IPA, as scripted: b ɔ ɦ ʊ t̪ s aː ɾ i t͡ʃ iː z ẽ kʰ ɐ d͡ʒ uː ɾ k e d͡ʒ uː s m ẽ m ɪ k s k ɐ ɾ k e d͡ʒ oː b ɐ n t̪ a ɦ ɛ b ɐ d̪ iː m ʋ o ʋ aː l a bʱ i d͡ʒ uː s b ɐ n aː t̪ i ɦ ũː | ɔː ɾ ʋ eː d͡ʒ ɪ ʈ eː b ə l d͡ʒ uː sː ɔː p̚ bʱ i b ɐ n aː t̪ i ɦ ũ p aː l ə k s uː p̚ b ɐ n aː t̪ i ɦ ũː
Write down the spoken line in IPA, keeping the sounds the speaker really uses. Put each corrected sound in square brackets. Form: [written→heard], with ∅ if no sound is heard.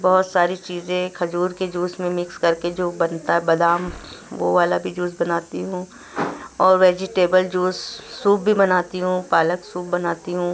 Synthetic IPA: b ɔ ɦ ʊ t̪ s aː ɾ i t͡ʃ iː z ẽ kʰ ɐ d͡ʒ uː ɾ k e d͡ʒ uː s m ẽ m ɪ k s k ɐ ɾ k e d͡ʒ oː b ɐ n t̪ a ɦ ɛ b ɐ d̪ [iː→aː] m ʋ o ʋ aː l a bʱ i d͡ʒ uː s b ɐ n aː t̪ i ɦ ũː | ɔː ɾ ʋ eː d͡ʒ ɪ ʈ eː b ə l d͡ʒ uː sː [ɔː→uː] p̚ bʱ i b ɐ n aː t̪ i ɦ ũ p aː l ə k s uː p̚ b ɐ n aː t̪ i ɦ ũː